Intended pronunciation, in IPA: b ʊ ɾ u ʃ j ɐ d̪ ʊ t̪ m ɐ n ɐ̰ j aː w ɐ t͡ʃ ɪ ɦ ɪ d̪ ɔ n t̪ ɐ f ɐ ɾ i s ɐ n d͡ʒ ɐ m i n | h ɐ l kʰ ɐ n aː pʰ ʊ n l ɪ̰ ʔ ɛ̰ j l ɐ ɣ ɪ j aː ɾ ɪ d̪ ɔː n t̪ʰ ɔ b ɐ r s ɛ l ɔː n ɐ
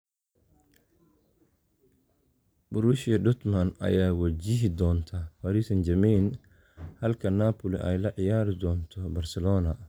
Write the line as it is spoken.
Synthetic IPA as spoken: b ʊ ɾ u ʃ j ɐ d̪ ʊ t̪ m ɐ n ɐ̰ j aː w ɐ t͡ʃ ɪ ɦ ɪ d̪ ɔː n t̪ʰ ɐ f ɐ ɾ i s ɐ n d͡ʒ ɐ m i n | h ɐ l kʰ ɐ n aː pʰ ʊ l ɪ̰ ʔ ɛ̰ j l ɐ ʕ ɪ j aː ɾ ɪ d̪ ɔː n t̪ʰ ɔ b ɐ r s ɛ l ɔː n ɐ